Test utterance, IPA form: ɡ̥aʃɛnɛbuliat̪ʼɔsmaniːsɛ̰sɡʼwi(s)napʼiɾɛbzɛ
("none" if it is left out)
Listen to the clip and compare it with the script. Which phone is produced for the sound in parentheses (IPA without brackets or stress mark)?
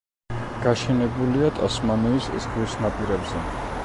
s